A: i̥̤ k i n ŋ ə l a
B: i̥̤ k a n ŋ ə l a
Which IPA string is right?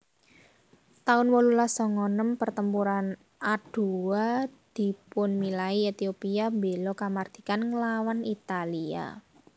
B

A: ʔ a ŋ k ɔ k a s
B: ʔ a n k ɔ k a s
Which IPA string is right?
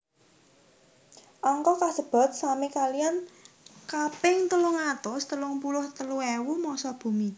A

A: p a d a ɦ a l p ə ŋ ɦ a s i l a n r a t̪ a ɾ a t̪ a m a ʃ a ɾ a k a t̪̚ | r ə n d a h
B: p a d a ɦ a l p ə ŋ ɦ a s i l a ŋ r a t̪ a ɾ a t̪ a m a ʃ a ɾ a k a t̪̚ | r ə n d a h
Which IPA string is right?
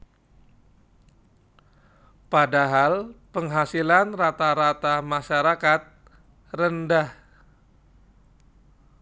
A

